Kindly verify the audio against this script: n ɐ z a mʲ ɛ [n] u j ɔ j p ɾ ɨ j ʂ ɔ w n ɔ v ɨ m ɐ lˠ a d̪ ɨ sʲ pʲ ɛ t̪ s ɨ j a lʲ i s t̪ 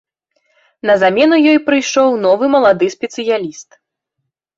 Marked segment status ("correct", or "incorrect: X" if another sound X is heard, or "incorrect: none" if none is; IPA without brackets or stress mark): correct